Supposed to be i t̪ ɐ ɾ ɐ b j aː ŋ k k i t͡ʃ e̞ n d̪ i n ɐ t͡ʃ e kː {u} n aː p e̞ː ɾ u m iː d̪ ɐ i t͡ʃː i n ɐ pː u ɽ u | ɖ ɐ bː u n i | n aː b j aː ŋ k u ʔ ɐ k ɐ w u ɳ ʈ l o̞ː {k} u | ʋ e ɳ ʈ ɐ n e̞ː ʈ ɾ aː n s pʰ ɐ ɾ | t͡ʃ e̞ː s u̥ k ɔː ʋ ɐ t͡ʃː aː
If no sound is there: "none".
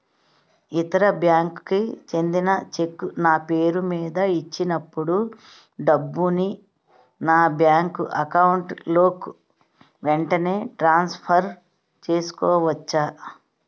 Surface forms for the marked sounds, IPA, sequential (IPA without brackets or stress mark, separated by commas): u, k